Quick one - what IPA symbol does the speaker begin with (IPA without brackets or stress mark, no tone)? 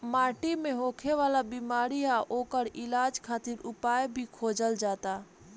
m